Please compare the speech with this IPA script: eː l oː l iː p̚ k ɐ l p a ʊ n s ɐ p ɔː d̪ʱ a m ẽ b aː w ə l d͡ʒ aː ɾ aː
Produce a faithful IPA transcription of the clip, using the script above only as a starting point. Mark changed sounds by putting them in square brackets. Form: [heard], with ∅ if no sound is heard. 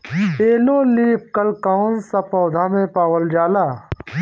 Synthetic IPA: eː l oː l iː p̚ k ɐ l [k] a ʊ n s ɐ p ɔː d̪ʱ a m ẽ [p] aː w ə l d͡ʒ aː [l] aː